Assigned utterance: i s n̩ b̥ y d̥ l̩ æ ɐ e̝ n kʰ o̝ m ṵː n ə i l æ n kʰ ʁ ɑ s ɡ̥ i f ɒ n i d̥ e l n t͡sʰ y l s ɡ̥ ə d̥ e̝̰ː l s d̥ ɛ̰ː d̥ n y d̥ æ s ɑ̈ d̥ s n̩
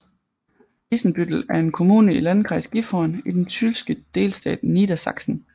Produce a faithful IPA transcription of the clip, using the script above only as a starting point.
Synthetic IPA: i s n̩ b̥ y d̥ l̩ æ ɐ e̝ n kʰ o̝ m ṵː n ə i l æ n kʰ ʁ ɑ s ɡ̥ i f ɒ n i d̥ e n t͡sʰ y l s ɡ̥ ə d̥ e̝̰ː l s d̥ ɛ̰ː d̥ n i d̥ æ s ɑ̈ ɡ̥ s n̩